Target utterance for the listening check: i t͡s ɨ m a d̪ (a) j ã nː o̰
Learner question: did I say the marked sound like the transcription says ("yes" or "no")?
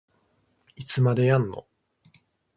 no